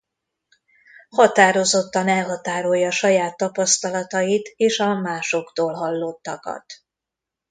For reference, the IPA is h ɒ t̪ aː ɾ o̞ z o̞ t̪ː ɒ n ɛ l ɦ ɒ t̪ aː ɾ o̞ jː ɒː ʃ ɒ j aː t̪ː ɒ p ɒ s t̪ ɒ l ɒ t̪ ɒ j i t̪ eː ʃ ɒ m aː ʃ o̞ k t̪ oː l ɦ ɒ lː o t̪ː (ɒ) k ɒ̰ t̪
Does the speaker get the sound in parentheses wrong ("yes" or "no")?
no